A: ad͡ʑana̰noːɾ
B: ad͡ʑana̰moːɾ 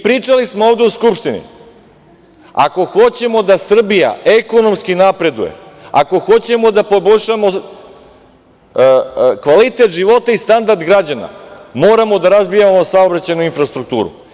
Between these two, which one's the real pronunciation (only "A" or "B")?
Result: B